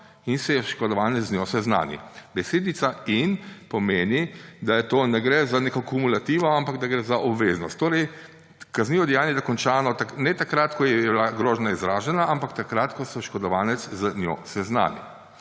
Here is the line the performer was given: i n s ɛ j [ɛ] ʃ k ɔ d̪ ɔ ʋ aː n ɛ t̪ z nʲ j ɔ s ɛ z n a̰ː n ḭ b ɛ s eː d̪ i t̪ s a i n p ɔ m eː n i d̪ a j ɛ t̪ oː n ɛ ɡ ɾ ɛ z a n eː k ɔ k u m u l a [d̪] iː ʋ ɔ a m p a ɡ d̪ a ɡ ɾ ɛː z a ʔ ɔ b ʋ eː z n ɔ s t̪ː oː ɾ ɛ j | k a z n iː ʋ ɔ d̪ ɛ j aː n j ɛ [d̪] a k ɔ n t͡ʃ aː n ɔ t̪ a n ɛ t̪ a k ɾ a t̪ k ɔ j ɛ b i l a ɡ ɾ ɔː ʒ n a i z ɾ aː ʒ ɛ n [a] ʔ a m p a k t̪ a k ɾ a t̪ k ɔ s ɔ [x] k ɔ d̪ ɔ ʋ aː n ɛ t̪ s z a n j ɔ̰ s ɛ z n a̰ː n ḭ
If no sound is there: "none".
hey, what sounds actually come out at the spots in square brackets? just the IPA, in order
ɛ, t̪, d̪, a, ʃ

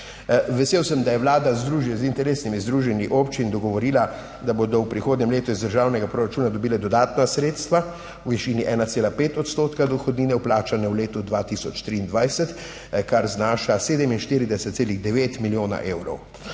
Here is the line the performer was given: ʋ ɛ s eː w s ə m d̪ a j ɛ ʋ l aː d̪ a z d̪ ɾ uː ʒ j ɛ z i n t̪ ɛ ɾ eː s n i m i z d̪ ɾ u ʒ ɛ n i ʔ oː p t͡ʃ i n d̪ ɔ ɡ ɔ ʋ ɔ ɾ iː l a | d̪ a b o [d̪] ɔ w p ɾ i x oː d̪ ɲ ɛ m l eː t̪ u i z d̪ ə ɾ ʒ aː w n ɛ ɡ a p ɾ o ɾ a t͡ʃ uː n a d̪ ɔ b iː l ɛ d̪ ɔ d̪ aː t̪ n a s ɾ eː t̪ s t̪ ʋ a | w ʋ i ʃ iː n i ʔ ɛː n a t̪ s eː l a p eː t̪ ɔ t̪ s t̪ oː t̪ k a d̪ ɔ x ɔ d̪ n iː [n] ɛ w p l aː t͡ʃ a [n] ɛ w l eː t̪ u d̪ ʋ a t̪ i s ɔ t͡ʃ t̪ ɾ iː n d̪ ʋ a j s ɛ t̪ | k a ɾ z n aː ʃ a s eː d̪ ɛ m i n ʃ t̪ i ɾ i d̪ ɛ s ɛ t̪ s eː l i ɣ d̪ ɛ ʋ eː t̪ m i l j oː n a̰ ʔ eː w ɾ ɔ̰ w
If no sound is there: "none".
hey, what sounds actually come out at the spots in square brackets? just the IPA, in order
d̪, n, n

